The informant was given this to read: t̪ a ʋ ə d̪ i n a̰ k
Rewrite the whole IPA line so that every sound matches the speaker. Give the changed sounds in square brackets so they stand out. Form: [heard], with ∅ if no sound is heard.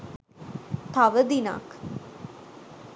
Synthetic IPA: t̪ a ʋ ə d̪ i n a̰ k